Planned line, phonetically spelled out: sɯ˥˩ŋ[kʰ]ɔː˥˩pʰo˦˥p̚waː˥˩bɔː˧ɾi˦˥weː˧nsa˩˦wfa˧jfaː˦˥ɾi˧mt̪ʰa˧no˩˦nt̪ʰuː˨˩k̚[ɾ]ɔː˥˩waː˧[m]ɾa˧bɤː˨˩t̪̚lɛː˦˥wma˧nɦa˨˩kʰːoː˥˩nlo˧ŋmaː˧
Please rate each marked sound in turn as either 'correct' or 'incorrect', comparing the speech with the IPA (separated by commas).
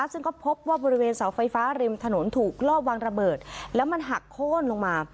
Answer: incorrect, incorrect, incorrect